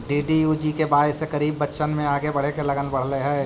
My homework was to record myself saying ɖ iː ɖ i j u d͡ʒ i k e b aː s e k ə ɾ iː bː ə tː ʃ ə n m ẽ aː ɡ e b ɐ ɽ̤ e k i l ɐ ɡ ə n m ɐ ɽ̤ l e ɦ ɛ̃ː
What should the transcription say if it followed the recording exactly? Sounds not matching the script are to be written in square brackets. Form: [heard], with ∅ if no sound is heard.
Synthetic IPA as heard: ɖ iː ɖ i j u d͡ʒ i k e b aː s e k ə ɾ iː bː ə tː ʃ ə n m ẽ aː ɡ e b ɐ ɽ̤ e k [e] l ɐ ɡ ə n [b] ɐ ɽ̤ l e ɦ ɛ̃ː